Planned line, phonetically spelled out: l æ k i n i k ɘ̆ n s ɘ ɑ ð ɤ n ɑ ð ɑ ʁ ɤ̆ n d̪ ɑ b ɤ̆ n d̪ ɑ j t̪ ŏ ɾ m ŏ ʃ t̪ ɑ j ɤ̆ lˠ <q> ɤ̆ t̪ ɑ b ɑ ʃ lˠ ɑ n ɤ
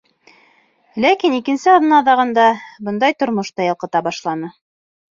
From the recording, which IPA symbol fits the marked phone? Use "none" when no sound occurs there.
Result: q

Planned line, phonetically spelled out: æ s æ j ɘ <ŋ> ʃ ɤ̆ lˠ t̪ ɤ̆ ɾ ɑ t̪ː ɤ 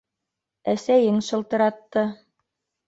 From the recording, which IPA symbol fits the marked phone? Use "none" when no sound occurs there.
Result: ŋ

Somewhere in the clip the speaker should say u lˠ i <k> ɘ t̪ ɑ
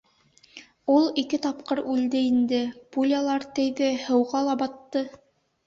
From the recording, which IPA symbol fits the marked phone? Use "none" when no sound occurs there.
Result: k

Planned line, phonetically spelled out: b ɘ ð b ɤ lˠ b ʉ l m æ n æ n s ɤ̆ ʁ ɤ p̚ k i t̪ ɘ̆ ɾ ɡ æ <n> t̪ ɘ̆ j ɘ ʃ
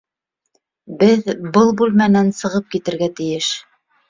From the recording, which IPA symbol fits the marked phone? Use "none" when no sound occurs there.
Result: none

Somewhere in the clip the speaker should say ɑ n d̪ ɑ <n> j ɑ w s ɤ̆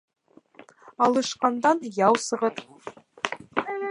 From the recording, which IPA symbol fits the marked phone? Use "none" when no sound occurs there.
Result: n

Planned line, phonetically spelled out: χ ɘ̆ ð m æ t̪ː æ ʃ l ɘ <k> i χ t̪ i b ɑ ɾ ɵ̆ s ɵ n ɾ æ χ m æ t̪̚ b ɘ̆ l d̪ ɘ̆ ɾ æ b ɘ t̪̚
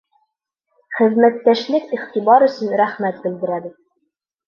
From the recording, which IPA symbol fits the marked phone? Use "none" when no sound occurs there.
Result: k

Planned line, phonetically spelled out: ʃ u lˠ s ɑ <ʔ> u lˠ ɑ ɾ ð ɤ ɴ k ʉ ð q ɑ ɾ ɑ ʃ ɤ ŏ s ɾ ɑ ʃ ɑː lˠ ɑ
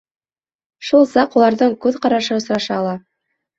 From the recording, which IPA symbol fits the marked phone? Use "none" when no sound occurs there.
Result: q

